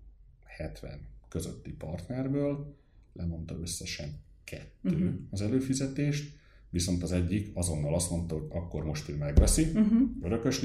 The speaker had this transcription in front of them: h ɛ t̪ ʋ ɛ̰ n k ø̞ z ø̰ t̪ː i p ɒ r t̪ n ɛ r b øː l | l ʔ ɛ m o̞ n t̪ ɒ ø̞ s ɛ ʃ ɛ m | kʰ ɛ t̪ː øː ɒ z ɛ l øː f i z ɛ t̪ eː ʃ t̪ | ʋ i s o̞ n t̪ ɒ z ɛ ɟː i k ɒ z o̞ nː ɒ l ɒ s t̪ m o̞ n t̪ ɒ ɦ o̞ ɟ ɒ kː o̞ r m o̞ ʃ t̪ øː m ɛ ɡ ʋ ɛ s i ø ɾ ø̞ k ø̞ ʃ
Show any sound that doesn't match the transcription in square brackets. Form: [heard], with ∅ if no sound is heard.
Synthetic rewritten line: h ɛ t̪ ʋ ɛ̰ n k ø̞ z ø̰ t̪ː i p ɒ r t̪ n ɛ r b øː l | l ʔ ɛ m o̞ n t̪ ɒ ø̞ [sː] ɛ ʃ ɛ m | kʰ ɛ t̪ː øː ɒ z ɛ l øː f i z ɛ t̪ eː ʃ t̪ | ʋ i s o̞ n t̪ ɒ z ɛ ɟː i k ɒ z o̞ nː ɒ l ɒ s t̪ m o̞ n t̪ ɒ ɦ o̞ ɟ ɒ kː o̞ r m o̞ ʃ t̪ øː m ɛ ɡ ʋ ɛ s i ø ɾ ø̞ k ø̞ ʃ